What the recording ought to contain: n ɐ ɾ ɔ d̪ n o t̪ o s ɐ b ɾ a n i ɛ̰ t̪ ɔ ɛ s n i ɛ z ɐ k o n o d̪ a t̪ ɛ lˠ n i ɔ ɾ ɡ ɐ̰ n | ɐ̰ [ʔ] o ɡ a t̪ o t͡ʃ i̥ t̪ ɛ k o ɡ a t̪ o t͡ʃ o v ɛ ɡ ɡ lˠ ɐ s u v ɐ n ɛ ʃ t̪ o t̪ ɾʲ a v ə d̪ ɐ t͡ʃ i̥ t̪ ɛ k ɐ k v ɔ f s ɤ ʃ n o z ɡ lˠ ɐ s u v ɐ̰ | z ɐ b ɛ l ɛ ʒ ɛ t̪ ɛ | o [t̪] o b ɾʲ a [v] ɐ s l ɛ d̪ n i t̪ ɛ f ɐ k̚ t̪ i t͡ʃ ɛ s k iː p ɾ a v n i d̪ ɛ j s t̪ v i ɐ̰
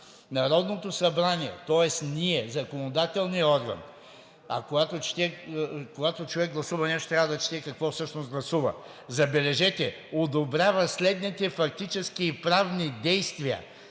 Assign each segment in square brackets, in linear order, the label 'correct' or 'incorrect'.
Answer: incorrect, incorrect, correct

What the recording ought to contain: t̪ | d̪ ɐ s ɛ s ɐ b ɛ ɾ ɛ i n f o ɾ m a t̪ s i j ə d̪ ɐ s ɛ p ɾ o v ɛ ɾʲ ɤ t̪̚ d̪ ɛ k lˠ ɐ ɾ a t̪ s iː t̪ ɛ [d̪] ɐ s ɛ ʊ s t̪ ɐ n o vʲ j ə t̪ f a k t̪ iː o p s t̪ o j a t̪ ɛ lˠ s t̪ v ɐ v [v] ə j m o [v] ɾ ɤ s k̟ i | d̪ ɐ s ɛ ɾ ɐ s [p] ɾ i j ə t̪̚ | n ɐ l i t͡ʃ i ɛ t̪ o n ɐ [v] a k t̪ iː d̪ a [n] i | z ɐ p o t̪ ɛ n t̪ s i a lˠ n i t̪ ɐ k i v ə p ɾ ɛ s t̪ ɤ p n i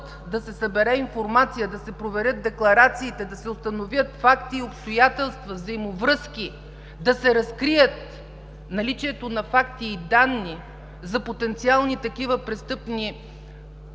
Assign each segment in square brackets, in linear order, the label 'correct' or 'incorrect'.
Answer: correct, incorrect, correct, incorrect, incorrect, incorrect

